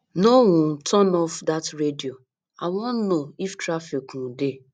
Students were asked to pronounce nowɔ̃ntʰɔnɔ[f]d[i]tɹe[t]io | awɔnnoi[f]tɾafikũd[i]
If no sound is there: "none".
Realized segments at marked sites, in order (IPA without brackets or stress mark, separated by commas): f, a, d, f, e